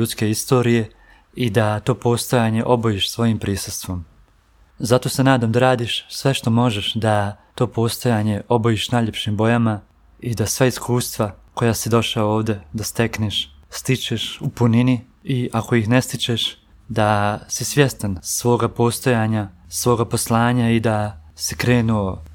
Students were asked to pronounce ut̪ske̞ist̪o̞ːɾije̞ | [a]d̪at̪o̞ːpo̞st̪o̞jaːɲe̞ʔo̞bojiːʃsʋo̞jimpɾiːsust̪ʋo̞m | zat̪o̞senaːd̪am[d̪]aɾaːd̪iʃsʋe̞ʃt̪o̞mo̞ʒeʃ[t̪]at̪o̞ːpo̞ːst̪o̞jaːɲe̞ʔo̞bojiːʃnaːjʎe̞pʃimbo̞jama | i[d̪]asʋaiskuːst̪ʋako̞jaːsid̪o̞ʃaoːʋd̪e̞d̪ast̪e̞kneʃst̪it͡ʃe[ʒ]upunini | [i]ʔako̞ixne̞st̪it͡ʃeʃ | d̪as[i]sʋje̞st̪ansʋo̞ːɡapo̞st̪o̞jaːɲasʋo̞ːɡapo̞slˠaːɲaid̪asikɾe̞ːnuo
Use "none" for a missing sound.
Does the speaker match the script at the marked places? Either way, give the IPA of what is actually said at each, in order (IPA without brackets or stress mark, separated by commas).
i, d̪, d̪, d̪, ʃ, i, i